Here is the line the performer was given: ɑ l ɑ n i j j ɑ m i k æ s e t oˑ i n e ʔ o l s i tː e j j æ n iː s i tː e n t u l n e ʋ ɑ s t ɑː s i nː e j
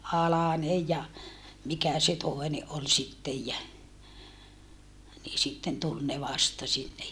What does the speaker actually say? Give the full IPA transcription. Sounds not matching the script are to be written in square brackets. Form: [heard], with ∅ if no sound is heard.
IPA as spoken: ɑ l ɑ n [e] j j ɑ m i k æ s e t oˑ [e] n e ʔ o l s i tː e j j æ n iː s i tː e n t u l n e ʋ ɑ s t [ɑ] s i nː e j